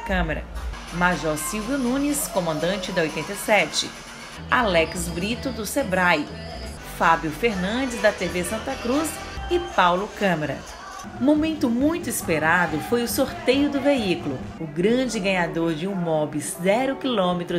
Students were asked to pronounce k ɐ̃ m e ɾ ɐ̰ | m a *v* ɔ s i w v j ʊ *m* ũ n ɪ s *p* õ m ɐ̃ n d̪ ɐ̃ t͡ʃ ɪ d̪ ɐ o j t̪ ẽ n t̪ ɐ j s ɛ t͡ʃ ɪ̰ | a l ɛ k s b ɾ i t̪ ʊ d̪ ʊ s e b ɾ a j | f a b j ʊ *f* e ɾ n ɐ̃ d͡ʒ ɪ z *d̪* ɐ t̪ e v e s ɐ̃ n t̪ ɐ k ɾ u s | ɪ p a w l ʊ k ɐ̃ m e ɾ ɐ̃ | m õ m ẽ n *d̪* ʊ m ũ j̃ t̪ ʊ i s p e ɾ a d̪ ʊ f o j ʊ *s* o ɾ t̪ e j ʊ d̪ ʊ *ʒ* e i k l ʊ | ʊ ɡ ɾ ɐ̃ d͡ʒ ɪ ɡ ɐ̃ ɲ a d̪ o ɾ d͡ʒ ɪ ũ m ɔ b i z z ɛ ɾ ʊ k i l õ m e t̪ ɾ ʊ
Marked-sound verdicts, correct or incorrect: incorrect: ʒ, incorrect: n, incorrect: k, correct, correct, incorrect: t̪, correct, incorrect: v

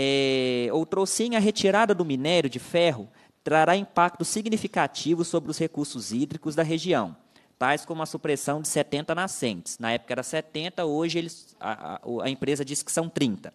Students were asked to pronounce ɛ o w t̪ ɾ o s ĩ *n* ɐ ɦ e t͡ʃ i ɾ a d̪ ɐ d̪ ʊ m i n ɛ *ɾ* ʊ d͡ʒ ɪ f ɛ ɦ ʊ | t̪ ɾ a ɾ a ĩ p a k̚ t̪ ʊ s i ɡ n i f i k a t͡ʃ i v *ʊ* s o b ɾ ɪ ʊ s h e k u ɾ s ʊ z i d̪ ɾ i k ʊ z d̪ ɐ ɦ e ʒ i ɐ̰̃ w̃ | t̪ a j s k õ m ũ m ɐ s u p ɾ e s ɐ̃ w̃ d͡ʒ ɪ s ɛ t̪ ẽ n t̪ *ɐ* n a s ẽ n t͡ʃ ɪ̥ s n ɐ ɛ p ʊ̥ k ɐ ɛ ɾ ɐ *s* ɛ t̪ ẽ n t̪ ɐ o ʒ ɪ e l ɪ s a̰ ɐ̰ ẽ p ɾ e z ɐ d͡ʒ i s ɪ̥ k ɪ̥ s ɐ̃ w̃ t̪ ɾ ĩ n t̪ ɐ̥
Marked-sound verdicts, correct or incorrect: incorrect: ɲ, correct, correct, correct, correct

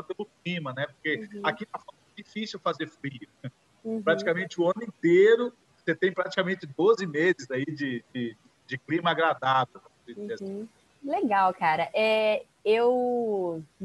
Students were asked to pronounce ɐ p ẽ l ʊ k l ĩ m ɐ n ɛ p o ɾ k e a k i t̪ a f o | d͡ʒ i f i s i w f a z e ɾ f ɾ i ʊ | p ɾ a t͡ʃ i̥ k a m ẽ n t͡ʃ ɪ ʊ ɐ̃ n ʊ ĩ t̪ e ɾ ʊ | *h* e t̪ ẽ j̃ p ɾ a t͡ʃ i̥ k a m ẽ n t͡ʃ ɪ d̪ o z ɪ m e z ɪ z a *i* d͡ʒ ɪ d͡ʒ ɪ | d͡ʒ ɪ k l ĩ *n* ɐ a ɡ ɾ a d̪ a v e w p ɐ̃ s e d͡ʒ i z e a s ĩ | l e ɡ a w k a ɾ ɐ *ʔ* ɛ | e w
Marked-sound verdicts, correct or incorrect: incorrect: s, correct, incorrect: m, correct

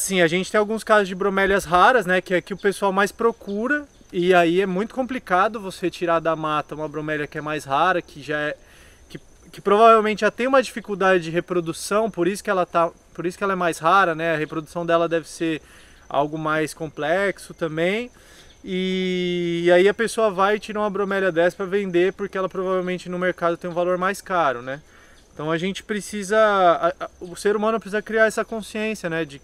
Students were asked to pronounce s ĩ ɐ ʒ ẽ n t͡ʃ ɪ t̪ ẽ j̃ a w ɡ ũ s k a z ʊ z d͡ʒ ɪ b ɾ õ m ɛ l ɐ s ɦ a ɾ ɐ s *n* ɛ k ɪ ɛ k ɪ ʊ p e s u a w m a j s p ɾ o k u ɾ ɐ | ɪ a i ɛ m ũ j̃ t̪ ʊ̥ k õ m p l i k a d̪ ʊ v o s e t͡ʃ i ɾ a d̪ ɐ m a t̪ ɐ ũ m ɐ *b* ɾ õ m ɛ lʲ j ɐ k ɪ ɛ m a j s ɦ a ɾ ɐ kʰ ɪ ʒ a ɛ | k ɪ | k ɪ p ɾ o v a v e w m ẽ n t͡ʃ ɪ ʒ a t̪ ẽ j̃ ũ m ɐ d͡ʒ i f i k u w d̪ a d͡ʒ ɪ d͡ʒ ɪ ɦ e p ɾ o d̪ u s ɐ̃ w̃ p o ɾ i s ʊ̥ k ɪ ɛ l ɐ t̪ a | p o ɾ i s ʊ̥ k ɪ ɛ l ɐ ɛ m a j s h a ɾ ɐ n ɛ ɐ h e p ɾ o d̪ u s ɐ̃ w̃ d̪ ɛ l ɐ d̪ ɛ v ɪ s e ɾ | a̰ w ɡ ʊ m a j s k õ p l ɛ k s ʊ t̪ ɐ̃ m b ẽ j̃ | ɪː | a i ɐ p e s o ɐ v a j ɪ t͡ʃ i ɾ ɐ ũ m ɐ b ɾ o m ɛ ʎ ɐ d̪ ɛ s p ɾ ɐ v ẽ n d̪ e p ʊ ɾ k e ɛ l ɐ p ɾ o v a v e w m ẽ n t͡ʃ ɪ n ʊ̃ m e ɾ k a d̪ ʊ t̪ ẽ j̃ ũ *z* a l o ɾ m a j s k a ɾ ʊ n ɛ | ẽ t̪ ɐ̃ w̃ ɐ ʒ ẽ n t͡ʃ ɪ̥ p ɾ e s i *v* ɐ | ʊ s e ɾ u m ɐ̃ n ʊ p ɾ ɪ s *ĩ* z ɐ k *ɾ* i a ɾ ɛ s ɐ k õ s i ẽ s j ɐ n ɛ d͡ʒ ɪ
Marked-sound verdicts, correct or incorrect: correct, correct, incorrect: v, incorrect: z, incorrect: i, correct

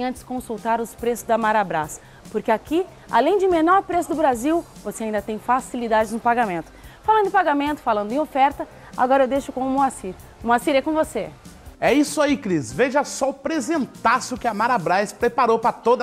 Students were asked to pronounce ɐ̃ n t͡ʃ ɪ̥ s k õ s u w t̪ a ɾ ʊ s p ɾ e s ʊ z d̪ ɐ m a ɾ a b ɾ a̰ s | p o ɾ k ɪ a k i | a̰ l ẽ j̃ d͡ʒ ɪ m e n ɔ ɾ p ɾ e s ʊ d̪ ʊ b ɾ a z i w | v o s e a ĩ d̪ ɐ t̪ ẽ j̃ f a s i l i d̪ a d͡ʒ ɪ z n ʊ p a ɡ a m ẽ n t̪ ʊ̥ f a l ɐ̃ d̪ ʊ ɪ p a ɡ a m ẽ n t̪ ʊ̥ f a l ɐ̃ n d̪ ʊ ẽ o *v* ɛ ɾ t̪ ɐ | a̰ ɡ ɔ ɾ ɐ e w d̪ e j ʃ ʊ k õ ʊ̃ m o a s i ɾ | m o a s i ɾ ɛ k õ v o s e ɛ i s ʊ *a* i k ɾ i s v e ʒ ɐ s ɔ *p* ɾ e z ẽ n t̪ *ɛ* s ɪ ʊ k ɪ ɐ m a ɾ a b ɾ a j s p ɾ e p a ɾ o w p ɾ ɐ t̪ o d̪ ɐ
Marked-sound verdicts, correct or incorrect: incorrect: f, correct, correct, incorrect: a

